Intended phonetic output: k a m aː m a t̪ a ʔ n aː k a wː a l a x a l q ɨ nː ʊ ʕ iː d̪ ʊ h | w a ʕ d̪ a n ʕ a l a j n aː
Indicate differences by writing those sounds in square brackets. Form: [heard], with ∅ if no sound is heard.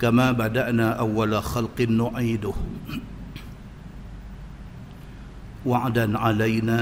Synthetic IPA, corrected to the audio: k a m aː [b] a [d̪] a ʔ n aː [ʔ] a wː a l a x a l q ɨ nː ʊ ʕ iː d̪ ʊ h | w a ʕ d̪ a n ʕ a l a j n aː